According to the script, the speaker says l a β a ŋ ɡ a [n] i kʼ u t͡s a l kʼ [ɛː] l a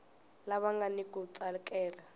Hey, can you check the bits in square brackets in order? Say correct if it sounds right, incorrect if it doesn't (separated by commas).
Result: correct, correct